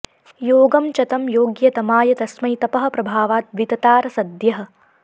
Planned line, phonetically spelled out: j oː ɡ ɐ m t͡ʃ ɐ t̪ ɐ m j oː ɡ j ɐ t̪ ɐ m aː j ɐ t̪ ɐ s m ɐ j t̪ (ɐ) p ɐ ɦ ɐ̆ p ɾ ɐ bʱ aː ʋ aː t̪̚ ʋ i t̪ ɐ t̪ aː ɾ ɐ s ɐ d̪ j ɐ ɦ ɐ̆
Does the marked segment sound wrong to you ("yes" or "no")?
no